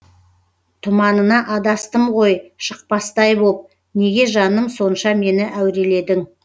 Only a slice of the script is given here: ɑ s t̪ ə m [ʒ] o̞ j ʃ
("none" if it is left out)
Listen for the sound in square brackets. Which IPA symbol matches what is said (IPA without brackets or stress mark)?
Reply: ʁ